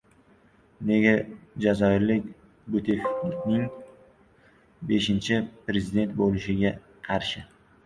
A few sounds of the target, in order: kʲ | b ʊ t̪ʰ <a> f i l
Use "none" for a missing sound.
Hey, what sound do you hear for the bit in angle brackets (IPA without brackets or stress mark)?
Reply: e